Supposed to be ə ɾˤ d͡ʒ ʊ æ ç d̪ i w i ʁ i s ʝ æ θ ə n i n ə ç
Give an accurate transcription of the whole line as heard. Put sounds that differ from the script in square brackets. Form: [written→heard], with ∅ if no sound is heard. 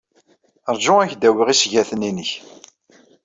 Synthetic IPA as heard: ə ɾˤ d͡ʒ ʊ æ ç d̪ [i→æ] w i ʁ i s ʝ æ θ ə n i n ə ç